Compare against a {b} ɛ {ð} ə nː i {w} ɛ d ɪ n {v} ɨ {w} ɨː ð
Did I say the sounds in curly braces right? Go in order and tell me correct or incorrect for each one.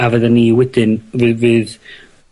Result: incorrect: v, correct, correct, correct, incorrect: v

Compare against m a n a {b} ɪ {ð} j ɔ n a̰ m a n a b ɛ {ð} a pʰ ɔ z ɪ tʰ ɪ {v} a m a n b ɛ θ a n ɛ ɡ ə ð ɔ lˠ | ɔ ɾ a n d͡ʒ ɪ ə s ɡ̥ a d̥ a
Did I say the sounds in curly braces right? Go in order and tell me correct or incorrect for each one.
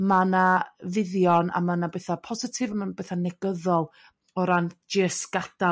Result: incorrect: v, correct, incorrect: θ, correct

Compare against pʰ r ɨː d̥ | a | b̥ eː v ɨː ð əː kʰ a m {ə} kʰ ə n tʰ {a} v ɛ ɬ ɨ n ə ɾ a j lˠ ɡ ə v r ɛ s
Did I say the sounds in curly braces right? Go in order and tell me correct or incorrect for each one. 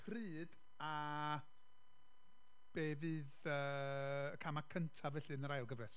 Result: incorrect: a, correct

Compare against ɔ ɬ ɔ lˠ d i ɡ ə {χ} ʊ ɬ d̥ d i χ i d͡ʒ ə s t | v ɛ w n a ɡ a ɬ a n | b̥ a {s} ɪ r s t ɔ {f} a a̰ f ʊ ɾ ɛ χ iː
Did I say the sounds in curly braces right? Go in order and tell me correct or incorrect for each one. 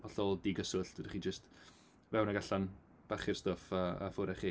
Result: incorrect: s, incorrect: χ, correct

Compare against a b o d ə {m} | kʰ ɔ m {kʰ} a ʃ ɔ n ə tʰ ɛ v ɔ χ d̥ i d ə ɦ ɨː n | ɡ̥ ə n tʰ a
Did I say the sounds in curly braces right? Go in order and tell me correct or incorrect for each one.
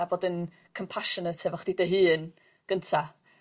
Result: incorrect: n, incorrect: pʰ

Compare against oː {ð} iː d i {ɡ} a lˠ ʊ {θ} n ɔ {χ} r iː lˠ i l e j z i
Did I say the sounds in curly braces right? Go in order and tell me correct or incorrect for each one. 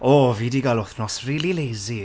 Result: incorrect: v, correct, correct, incorrect: s

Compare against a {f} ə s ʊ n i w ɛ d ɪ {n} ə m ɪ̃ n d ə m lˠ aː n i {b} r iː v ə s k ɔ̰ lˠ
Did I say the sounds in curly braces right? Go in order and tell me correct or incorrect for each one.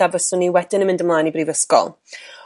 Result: incorrect: v, correct, correct

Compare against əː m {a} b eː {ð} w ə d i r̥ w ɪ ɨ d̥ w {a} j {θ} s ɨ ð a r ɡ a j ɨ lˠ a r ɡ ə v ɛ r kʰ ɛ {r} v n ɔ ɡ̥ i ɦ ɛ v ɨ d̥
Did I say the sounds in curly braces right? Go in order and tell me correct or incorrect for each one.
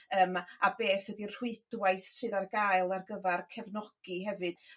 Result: correct, incorrect: θ, correct, correct, incorrect: none

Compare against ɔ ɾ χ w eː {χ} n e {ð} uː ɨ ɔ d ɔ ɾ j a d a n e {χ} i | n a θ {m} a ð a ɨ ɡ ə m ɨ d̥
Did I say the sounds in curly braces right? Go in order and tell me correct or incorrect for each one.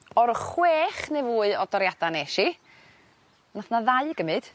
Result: correct, incorrect: v, incorrect: ʃ, incorrect: n

